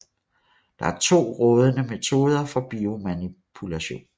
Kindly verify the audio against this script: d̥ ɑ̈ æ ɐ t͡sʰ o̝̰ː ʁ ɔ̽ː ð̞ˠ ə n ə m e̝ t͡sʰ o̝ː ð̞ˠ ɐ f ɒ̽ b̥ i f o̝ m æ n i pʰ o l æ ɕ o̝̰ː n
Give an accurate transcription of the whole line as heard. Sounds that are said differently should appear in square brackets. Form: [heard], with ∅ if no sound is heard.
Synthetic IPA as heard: d̥ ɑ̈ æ ɐ t͡sʰ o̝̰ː ʁ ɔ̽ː ð̞ˠ ə n ə m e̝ t͡sʰ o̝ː ð̞ˠ ɐ f ɒ̽ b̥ i [∅] o̝ m æ n i pʰ [u] l æ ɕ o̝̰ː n

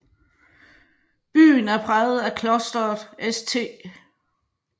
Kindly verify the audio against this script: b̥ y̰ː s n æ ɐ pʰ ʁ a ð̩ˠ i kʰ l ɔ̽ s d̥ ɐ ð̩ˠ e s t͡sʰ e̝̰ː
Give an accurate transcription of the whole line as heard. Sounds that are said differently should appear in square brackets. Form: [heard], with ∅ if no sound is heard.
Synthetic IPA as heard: b̥ y̰ː [∅] n æ ɐ pʰ ʁ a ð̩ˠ [æ] kʰ l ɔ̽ s d̥ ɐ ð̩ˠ e s t͡sʰ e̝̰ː

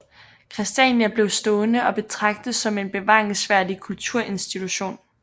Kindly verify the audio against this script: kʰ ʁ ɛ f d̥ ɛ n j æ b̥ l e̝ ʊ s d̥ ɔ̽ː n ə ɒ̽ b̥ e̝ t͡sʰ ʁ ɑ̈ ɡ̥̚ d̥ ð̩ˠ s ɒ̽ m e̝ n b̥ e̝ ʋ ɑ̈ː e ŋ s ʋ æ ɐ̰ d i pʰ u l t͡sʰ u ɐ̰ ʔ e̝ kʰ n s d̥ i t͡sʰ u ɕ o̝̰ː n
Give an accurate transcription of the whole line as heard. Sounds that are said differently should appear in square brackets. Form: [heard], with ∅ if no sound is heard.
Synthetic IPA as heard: kʰ ʁ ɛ [s] d̥ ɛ n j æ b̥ l e̝ ʊ s d̥ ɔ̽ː n ə ɒ̽ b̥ e̝ t͡sʰ ʁ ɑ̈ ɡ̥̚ d̥ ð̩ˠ s ɒ̽ m e̝ n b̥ e̝ ʋ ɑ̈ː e ŋ s ʋ æ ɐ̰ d i [kʰ] u l t͡sʰ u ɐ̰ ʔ e̝ [∅] n s d̥ i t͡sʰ u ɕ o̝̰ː n

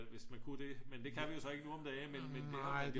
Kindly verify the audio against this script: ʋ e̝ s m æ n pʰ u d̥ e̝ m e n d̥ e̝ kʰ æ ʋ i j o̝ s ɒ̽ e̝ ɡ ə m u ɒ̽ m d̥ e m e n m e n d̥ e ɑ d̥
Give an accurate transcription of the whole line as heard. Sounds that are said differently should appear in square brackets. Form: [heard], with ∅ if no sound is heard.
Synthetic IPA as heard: ʋ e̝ s m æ n [kʰ] u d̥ e̝ m e n d̥ e̝ kʰ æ ʋ i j o̝ s ɒ̽ e̝ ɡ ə [n] u ɒ̽ m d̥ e m e n m e n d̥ e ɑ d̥

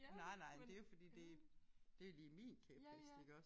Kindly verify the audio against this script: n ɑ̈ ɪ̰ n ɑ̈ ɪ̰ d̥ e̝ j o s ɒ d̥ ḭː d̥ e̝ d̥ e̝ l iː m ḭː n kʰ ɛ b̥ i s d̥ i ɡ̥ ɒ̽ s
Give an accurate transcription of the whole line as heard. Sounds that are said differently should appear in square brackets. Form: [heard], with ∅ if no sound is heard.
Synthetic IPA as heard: n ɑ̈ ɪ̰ n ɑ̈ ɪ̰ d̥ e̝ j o [f] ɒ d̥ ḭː d̥ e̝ d̥ e̝ l iː m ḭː n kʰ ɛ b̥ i s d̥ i ɡ̥ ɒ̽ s

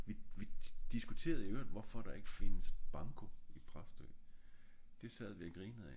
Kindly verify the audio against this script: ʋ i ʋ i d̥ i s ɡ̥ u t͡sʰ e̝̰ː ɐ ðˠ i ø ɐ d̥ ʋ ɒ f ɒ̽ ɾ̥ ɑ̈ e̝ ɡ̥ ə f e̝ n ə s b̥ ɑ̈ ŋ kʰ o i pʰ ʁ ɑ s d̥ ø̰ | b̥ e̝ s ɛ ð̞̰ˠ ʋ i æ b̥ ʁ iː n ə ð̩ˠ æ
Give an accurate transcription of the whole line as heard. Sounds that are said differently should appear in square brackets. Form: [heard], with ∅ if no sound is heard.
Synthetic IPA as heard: ʋ i ʋ i d̥ i s ɡ̥ u t͡sʰ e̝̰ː ɐ ðˠ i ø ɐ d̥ ʋ ɒ f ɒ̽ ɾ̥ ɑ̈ e̝ ɡ̥ ə f e̝ n ə s b̥ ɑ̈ ŋ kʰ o i pʰ ʁ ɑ s d̥ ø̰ | [d̥] e̝ s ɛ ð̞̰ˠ ʋ i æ [ɡ̥] ʁ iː n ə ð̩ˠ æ

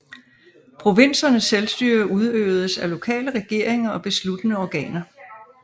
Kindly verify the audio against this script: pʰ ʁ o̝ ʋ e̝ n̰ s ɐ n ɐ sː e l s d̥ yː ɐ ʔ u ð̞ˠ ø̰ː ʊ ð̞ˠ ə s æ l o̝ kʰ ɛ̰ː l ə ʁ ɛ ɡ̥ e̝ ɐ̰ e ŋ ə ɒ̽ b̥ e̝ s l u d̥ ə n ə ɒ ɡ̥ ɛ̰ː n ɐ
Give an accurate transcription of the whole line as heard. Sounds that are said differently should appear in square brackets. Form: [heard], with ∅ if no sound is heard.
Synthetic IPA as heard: pʰ ʁ o̝ ʋ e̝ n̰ s ɐ n [ə] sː e l s d̥ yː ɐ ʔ u ð̞ˠ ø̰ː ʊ ð̞ˠ ə s æ l o̝ kʰ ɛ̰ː l ə ʁ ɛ ɡ̥ e̝ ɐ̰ e ŋ [ɐ] ɒ̽ b̥ e̝ s l u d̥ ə n ə ɒ ɡ̥ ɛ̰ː n ɐ

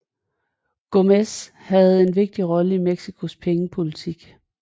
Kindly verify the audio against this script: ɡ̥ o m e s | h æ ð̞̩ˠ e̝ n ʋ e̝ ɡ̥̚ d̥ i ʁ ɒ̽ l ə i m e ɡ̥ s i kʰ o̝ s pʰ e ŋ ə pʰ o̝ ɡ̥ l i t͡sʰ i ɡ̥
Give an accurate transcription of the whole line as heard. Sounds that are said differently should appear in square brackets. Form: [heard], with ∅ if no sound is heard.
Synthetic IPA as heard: ɡ̥ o m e s | h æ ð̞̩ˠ e̝ n ʋ e̝ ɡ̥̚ d̥ i ʁ ɒ̽ l ə i m e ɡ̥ s i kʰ o̝ s pʰ e ŋ ə pʰ o̝ [∅] l i t͡sʰ i ɡ̥

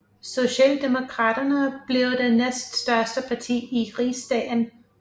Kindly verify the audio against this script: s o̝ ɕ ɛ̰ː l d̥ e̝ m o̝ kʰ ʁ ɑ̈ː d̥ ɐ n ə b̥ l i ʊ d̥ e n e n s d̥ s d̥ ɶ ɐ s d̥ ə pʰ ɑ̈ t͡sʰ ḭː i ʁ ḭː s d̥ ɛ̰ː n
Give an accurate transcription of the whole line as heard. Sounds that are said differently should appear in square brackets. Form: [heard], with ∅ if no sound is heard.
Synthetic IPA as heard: s o̝ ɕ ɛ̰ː l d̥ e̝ m o̝ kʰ ʁ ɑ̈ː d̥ ɐ n ə b̥ l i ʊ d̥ e n e [∅] s d̥ s d̥ ɶ ɐ s d̥ ə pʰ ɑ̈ t͡sʰ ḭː i ʁ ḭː s d̥ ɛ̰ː n

